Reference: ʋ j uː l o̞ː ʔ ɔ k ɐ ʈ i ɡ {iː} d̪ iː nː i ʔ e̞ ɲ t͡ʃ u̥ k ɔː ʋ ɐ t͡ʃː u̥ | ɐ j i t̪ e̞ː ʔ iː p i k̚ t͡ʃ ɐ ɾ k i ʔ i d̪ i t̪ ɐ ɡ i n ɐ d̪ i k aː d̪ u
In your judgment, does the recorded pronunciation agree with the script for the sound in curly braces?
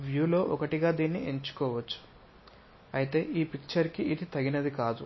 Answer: no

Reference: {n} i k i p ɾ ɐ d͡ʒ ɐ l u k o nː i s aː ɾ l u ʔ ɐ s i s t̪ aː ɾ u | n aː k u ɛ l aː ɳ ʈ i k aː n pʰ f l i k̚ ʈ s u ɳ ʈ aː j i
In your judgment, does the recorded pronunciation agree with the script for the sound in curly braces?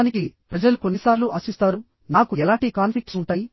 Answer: yes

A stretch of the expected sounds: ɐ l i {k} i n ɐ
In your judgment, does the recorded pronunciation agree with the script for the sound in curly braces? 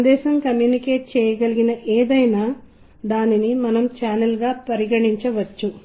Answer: no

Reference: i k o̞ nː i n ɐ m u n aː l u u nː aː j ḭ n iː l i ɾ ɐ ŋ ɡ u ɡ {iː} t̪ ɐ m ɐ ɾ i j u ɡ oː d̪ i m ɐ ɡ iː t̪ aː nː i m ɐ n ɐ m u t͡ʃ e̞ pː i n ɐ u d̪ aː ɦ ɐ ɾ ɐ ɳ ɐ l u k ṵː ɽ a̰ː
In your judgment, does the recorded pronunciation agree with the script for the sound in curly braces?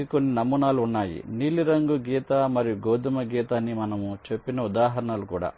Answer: yes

